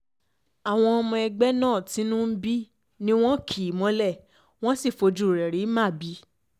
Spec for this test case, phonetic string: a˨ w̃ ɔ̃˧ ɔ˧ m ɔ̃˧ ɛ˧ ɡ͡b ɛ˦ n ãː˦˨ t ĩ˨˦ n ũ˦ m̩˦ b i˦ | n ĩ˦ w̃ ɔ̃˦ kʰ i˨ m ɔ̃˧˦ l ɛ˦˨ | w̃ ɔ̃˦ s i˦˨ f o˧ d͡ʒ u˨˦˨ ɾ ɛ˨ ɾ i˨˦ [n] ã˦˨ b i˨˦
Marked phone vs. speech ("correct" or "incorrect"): incorrect